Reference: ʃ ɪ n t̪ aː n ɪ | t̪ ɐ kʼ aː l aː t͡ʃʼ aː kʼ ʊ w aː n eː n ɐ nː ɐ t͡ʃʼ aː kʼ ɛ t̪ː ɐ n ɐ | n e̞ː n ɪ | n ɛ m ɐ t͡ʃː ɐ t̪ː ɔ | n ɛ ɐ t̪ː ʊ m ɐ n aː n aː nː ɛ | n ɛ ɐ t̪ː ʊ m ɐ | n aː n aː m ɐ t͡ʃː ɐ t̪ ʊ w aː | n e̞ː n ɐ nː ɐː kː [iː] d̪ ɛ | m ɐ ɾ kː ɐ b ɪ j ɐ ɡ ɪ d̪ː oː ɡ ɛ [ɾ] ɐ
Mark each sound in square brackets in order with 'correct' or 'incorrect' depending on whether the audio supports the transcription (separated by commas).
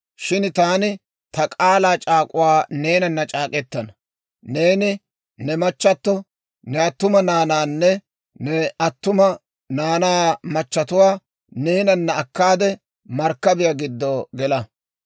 incorrect, incorrect